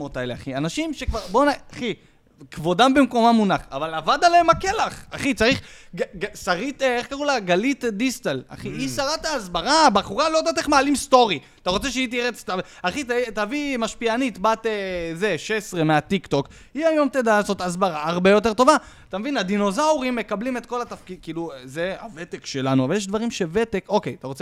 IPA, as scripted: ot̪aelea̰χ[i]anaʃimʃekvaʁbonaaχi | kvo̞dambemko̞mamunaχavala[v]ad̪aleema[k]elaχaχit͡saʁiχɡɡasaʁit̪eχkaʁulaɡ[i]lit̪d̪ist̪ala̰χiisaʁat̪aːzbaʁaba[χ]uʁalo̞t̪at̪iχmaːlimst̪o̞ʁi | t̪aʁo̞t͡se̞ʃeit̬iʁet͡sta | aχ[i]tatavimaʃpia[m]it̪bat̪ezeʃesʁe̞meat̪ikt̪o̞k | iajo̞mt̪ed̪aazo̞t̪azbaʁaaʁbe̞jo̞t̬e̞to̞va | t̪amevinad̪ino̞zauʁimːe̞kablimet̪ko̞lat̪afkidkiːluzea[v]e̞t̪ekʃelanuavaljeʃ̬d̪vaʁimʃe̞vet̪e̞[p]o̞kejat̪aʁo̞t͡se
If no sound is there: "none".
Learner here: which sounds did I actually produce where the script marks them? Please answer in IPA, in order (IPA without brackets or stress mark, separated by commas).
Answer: i, v, k, a, χ, i, n, v, k